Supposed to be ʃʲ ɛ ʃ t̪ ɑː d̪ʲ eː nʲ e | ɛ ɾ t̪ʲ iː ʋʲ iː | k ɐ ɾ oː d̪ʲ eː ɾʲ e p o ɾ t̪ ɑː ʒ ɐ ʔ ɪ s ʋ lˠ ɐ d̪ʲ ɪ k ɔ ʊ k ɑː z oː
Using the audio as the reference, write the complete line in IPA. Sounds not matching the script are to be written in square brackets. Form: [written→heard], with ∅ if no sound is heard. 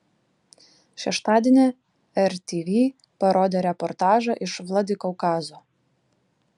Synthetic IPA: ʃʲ ɛ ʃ t̪ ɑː d̪ʲ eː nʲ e | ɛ ɾ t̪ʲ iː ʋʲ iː | [k→p] ɐ ɾ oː d̪ʲ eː ɾʲ [e→ɛ] p [o→ɔ] ɾ t̪ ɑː ʒ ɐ ʔ ɪ [s→ʃ] ʋ lˠ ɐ d̪ʲ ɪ k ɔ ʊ k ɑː z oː